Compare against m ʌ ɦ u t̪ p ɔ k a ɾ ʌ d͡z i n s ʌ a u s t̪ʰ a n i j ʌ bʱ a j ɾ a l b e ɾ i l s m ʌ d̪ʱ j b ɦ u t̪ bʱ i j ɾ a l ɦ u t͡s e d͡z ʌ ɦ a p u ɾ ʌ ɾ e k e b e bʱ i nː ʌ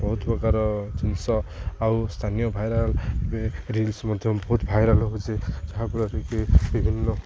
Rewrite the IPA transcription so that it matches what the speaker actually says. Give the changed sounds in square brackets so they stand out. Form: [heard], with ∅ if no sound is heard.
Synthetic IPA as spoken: [b] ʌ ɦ u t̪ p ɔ k a ɾ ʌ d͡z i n s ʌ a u s t̪ʰ a n i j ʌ bʱ a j ɾ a l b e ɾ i l s m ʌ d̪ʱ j b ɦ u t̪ bʱ [a] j ɾ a l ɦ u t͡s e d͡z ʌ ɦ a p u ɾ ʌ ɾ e k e b [i] bʱ i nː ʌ